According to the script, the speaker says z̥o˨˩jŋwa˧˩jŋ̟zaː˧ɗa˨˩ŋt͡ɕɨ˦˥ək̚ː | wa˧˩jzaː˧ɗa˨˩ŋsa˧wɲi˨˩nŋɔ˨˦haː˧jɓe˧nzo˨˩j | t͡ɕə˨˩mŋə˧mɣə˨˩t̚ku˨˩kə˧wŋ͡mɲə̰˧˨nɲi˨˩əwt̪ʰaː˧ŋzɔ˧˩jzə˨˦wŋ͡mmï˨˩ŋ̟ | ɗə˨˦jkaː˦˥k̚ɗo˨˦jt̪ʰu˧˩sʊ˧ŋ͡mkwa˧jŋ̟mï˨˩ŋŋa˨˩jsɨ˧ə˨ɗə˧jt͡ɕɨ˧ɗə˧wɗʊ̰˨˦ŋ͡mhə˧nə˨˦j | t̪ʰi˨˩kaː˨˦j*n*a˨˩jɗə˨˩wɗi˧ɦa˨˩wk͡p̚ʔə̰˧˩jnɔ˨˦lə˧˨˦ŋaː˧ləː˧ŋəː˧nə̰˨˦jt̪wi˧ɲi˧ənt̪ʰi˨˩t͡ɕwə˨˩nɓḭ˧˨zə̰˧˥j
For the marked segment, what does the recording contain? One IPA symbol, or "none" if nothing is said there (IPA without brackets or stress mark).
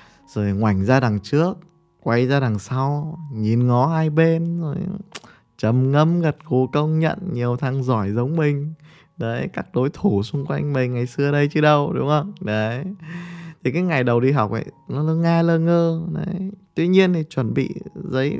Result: ŋ